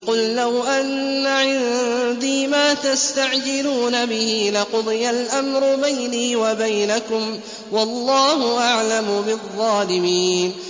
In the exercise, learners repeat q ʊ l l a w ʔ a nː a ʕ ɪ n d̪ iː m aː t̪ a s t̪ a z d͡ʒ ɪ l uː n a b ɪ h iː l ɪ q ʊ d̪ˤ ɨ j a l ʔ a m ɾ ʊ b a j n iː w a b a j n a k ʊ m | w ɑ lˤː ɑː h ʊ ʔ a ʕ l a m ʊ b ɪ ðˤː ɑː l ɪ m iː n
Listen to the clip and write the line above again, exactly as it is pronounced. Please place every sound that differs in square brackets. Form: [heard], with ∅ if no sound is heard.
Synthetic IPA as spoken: q ʊ l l a w ʔ a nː a ʕ ɪ n d̪ iː m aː t̪ a s t̪ a [ʕ] d͡ʒ ɪ l uː n a b ɪ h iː l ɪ q ʊ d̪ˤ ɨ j a l ʔ a m ɾ ʊ b a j n iː w a b a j n a k ʊ m | w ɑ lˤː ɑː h ʊ ʔ a ʕ l a m ʊ b ɪ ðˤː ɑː l ɪ m iː n

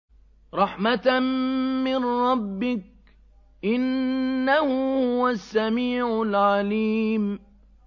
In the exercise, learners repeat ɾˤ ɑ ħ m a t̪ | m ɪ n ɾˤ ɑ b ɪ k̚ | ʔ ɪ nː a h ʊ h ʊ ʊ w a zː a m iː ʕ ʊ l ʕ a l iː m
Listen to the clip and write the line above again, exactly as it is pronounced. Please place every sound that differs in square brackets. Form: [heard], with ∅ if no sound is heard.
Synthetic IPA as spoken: ɾˤ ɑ ħ m a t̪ | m ɪ n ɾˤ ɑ [bː] ɪ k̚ | ʔ ɪ nː a h ʊ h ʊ ʊ w a [sː] a m iː ʕ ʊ l ʕ a l iː m

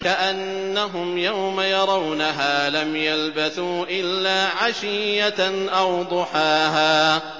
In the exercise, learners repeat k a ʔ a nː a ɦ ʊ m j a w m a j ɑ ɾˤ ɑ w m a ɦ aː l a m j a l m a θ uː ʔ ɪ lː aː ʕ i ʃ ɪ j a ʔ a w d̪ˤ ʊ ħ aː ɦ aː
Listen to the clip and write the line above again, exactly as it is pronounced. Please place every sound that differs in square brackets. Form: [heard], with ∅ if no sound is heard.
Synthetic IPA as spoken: k a ʔ a nː a ɦ ʊ m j a w m a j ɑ ɾˤ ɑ w [n] a ɦ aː l a m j a l [b] a θ uː ʔ ɪ lː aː ʕ [a] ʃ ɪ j a ʔ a w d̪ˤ ʊ ħ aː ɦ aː

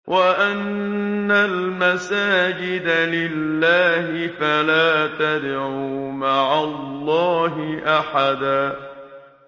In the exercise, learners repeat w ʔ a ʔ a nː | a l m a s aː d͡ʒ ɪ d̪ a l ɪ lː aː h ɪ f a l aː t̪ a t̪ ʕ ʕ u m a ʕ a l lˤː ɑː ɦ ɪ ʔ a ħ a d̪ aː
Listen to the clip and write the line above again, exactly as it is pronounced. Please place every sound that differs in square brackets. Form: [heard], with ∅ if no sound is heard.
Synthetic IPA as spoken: w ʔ a ʔ a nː | a l m a s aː d͡ʒ ɪ d̪ a l ɪ lː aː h ɪ f a l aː t̪ a [d̪] ʕ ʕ u m a ʕ a l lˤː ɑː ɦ ɪ ʔ a ħ a d̪ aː

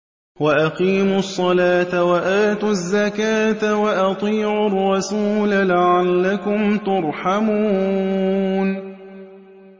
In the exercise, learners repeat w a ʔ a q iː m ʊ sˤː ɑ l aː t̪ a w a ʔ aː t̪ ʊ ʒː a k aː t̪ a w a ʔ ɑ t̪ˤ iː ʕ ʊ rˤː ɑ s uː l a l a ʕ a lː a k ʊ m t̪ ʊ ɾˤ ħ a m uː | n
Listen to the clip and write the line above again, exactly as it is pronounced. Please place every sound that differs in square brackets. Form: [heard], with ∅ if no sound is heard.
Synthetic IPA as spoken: w a ʔ a q iː m ʊ sˤː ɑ l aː t̪ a w a ʔ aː t̪ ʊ [zː] a k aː t̪ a w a ʔ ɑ t̪ˤ iː ʕ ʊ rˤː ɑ s uː l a l a ʕ a lː a k ʊ m t̪ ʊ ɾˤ ħ a m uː | n

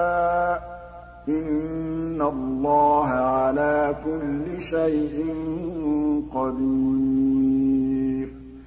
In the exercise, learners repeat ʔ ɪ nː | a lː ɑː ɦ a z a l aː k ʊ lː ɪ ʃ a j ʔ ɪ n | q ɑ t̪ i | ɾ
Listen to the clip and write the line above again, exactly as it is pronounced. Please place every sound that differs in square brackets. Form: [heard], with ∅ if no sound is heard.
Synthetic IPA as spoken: ʔ ɪ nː | a lː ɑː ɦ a [ʕ] a l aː k ʊ lː ɪ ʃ a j ʔ ɪ n | q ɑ [d̪] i | ɾ

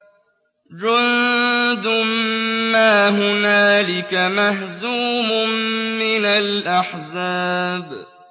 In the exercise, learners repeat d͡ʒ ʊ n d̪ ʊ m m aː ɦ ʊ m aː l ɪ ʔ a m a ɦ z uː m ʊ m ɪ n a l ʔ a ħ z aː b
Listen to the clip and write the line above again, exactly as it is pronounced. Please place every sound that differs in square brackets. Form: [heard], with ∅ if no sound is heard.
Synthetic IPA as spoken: d͡ʒ ʊ n d̪ ʊ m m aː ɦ ʊ [n] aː l ɪ [k] a m a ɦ z uː m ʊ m ɪ n a l ʔ a ħ z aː b

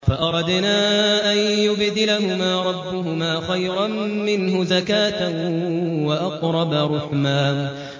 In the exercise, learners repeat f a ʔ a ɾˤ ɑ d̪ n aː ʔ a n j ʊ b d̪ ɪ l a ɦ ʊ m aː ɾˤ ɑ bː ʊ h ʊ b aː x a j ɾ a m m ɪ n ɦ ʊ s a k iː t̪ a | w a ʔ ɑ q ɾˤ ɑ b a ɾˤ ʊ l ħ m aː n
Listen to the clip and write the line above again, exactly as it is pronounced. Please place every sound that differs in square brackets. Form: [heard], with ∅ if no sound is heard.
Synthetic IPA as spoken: f a ʔ [ɑ] ɾˤ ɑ d̪ n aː ʔ a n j ʊ b d̪ ɪ l a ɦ ʊ m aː ɾˤ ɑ bː ʊ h ʊ [m] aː x a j ɾ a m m ɪ n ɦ ʊ [z] a k [aː] t̪ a | w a ʔ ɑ q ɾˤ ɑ b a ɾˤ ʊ [∅] ħ m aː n

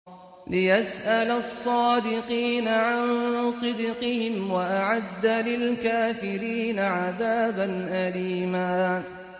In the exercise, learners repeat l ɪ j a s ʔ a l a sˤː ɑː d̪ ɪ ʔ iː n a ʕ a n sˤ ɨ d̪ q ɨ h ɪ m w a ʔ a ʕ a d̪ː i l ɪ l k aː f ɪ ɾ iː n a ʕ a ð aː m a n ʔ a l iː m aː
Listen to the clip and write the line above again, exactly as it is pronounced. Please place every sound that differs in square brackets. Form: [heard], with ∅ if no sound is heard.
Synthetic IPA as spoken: l ɪ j a s ʔ a l a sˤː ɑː d̪ ɪ [q] iː n a ʕ a n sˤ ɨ d̪ q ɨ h ɪ m w a ʔ a ʕ a d̪ː [a] l ɪ l k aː f ɪ ɾ iː n a ʕ a ð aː [b] a n ʔ a l iː m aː

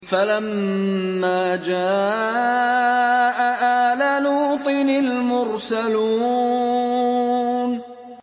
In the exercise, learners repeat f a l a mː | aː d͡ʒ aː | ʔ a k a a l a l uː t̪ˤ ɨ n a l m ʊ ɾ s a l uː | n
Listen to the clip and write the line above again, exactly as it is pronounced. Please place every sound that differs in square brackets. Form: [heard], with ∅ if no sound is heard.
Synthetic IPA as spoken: f a l a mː | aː d͡ʒ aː | ʔ a [ʔ] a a l a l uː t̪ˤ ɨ n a l m ʊ ɾ s a l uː | n

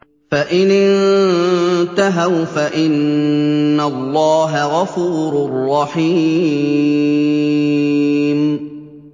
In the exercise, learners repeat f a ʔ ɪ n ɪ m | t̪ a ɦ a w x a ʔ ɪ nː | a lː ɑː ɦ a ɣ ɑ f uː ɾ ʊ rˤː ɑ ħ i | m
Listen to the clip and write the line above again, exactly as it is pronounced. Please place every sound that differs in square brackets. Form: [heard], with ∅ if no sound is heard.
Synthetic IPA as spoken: f a ʔ ɪ n ɪ [n] | t̪ a ɦ a w [f] a ʔ ɪ nː | a lː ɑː ɦ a ɣ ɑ f uː ɾ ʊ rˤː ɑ ħ [iː] | m

